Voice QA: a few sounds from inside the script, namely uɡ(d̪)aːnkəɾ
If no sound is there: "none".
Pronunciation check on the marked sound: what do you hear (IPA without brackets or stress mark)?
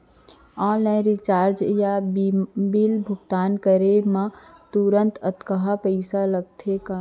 t̪